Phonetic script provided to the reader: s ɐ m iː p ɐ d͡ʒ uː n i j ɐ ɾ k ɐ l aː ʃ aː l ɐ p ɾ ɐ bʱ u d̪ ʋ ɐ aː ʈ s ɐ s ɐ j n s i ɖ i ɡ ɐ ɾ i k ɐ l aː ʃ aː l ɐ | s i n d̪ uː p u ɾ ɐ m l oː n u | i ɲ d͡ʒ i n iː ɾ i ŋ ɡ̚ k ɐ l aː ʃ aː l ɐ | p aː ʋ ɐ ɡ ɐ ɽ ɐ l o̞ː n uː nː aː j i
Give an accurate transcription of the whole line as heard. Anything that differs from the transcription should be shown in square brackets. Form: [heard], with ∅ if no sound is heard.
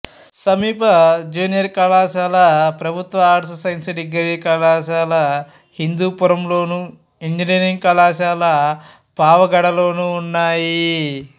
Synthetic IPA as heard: s ɐ m iː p ɐ d͡ʒ uː n i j ɐ ɾ k ɐ l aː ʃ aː l ɐ p ɾ ɐ bʱ u [t̪] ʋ ɐ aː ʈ s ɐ s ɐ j n s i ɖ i ɡ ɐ ɾ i k ɐ l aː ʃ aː l ɐ | [h] i n d̪ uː p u ɾ ɐ m l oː n u | i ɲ d͡ʒ i n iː ɾ i ŋ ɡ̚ k ɐ l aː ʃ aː l ɐ | p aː ʋ ɐ ɡ ɐ ɽ ɐ l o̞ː n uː nː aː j i